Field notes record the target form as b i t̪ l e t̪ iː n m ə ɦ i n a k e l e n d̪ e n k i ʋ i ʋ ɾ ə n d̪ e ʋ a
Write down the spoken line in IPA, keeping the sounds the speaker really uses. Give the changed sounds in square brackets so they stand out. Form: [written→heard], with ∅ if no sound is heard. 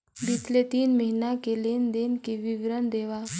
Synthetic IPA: b i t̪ l e t̪ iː n m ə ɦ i n a k e l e n d̪ e n k i ʋ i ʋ ɾ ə n d̪ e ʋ a